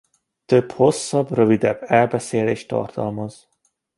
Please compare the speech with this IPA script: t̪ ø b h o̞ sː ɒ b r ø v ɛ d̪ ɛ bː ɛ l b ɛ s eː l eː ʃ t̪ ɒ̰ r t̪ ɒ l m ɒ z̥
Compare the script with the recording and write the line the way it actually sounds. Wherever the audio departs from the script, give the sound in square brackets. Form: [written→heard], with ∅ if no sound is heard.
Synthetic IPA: t̪ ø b h o̞ sː ɒ b r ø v [ɛ→i] d̪ ɛ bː ɛ l b ɛ s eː l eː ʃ t̪ ɒ̰ r t̪ ɒ l m ɒ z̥